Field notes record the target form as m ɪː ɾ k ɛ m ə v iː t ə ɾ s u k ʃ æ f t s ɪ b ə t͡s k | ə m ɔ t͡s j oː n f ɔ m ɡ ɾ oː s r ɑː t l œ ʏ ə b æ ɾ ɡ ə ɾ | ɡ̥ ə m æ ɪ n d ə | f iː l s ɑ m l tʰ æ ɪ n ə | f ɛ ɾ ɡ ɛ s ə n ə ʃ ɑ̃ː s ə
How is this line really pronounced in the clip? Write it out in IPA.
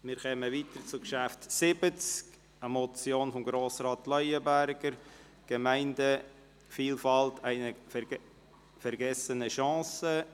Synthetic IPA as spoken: m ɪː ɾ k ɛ m ə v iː t ə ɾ t͡s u k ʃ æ f t s ɪ b ə t͡s k | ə m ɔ t͡s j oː n f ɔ m ɡ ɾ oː s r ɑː t l œ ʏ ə b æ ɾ ɡ ə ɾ | ɡ̥ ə m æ ɪ n d ə | f iː l f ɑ l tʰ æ ɪ n ə | f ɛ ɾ ɡ ɛ s ə n ə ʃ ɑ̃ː s ə